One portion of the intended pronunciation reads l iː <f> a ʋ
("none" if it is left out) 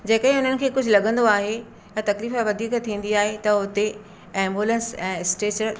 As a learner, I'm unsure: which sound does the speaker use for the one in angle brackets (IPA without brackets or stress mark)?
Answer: f